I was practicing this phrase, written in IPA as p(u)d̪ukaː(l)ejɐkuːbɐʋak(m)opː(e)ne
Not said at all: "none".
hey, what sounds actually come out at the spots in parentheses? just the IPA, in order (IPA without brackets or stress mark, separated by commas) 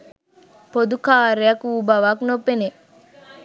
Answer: o, ɾ, n, e